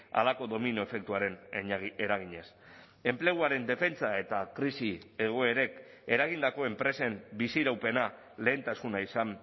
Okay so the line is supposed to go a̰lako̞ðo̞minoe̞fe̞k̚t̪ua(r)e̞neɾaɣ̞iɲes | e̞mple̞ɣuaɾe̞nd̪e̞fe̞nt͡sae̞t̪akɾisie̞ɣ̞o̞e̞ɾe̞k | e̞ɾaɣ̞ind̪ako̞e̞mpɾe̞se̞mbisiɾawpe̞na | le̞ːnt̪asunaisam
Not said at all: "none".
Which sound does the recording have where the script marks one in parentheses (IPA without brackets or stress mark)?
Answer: ɾ